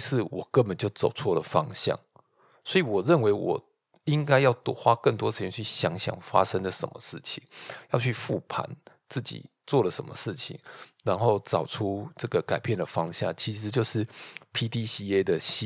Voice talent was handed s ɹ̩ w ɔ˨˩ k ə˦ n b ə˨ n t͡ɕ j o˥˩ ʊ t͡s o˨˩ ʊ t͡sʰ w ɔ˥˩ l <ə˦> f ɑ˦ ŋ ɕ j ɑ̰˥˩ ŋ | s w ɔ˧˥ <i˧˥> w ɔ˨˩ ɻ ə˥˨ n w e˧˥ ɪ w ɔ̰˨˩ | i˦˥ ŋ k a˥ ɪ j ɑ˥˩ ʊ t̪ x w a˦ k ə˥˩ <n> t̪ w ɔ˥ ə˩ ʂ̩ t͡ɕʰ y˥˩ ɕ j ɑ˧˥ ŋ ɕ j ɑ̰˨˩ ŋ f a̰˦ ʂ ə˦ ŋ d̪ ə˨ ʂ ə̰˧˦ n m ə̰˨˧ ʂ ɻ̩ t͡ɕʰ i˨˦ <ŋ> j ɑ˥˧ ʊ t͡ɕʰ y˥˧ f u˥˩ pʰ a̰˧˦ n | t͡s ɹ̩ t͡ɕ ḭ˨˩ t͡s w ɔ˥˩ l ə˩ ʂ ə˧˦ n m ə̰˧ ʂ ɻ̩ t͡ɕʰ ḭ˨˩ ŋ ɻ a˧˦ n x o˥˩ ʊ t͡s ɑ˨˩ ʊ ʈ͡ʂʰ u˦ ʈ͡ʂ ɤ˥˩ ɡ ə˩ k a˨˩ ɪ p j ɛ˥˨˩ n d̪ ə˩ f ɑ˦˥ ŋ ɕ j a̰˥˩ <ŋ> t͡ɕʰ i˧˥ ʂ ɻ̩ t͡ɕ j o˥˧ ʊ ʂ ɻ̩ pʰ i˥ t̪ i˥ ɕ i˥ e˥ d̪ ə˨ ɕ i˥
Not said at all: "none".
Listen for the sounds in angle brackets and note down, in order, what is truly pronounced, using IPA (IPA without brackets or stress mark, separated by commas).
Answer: ə˩, i˨, n, ŋ, ŋ